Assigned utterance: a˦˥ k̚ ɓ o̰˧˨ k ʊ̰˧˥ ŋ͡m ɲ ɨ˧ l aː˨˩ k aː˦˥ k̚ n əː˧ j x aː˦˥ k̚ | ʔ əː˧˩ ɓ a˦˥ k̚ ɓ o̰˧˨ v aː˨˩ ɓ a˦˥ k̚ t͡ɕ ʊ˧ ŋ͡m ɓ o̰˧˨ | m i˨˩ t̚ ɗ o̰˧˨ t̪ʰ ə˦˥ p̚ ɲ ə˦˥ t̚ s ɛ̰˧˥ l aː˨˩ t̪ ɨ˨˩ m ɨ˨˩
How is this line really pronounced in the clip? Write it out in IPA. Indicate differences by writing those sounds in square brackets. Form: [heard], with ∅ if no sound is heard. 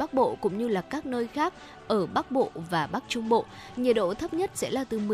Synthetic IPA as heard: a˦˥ k̚ ɓ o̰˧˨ k ʊ̰˧˥ ŋ͡m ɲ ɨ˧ l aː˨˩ k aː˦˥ k̚ n əː˧ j x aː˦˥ k̚ | ʔ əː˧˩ ɓ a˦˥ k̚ ɓ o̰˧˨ v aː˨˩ ɓ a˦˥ k̚ t͡ɕ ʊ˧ ŋ͡m ɓ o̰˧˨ | [ɲ] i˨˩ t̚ ɗ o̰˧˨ t̪ʰ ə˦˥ p̚ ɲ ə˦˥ t̚ s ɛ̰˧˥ l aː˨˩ t̪ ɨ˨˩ m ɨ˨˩